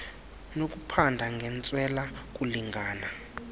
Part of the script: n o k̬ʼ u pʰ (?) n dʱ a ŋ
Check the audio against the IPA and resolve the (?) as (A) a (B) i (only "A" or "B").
A